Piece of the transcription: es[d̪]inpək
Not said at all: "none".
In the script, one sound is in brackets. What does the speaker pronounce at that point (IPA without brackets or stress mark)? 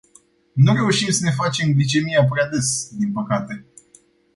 d̪